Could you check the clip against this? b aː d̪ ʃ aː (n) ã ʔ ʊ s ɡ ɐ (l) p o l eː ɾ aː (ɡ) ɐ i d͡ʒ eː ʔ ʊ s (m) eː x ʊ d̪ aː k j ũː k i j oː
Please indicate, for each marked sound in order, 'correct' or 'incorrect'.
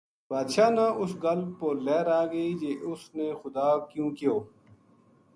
correct, correct, correct, incorrect

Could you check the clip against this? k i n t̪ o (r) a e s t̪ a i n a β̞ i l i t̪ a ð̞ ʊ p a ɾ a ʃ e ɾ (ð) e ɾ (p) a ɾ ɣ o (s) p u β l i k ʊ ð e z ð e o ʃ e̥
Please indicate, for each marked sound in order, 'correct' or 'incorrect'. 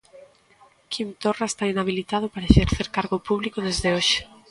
correct, incorrect, incorrect, incorrect

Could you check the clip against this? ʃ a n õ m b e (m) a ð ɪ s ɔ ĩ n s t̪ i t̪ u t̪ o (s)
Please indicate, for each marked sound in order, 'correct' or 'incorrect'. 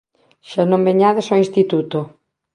incorrect, incorrect

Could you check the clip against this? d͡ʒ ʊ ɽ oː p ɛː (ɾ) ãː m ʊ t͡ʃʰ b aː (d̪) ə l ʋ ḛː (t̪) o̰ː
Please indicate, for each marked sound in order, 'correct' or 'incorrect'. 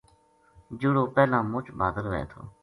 incorrect, correct, incorrect

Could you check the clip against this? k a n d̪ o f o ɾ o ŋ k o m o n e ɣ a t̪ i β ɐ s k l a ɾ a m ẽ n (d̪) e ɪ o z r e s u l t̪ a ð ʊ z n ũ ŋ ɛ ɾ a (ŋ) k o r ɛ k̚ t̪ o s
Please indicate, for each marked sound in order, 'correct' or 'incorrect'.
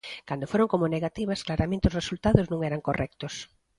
incorrect, correct

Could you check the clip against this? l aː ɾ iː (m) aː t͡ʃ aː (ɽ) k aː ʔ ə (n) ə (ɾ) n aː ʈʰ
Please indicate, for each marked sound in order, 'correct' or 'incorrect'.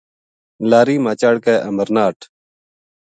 correct, correct, incorrect, correct

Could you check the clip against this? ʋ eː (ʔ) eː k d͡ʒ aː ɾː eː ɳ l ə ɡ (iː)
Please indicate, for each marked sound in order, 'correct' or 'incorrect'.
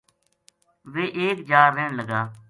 correct, incorrect

